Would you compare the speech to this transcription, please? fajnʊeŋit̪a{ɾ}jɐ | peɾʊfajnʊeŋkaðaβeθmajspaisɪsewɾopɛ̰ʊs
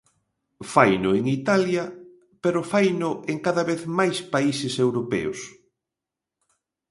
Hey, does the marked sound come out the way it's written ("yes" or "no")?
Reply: no